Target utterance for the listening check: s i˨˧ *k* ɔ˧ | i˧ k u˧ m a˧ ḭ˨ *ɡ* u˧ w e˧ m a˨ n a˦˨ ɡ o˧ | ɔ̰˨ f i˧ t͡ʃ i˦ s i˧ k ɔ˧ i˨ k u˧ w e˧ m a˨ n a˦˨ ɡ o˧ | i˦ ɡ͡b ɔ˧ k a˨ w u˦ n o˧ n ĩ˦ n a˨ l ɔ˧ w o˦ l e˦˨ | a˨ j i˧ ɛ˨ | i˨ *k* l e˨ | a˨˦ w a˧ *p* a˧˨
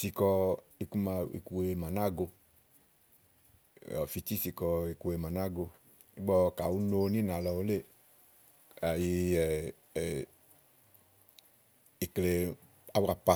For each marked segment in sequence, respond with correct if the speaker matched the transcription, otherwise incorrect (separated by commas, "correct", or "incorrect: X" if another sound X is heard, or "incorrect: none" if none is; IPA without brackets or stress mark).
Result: correct, incorrect: k, correct, correct